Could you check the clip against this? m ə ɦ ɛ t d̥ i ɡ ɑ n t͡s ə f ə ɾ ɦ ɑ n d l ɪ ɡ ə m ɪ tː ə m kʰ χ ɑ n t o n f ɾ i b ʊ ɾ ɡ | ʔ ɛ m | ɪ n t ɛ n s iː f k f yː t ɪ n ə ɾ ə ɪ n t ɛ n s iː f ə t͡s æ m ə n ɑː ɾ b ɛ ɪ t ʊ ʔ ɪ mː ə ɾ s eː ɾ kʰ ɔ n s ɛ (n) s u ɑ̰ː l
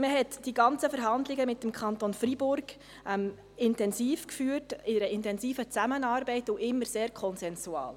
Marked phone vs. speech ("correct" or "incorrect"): correct